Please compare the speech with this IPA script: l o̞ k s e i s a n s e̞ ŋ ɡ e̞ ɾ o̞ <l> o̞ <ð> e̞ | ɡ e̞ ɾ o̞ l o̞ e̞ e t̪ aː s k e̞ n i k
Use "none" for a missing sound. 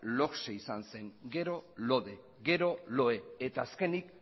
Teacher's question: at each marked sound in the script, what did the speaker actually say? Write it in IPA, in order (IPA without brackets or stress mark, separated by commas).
l, ð